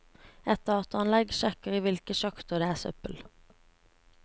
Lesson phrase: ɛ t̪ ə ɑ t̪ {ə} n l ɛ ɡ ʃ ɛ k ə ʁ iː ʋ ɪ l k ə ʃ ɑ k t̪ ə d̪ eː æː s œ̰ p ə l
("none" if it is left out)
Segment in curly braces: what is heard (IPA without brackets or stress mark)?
ɑ